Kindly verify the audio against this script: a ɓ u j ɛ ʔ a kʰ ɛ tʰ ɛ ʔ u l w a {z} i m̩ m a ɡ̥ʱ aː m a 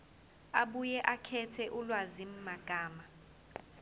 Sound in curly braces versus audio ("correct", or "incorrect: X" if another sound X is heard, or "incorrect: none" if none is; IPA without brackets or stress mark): correct